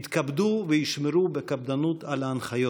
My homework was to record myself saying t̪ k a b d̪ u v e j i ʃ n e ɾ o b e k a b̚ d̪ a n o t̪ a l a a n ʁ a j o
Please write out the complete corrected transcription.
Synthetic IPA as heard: t̪ k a b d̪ u v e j i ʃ m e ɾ u b e k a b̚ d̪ a n u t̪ a l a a n χ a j o